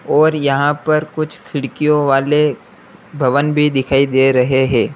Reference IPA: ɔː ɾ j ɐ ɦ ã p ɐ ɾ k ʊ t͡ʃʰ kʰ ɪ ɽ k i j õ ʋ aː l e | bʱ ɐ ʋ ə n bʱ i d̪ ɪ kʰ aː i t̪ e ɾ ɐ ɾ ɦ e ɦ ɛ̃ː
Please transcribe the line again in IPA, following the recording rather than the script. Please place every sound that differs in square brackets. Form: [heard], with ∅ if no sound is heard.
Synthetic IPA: ɔː ɾ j ɐ ɦ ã p ɐ ɾ k ʊ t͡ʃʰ kʰ ɪ ɽ k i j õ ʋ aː l e | bʱ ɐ ʋ ə n bʱ i d̪ ɪ kʰ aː i [d̪] e ɾ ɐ [∅] ɦ e ɦ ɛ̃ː